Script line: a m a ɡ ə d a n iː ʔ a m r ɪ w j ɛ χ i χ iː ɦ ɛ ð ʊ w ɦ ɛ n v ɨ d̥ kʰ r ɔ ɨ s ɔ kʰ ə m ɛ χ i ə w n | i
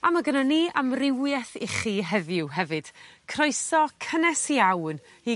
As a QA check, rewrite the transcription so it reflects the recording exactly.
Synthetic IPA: a m a ɡ ə n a n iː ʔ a m r ɪ w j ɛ θ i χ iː ɦ ɛ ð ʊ w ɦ ɛ v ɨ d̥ kʰ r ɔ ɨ s ɔ kʰ ə n ɛ s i a w n | i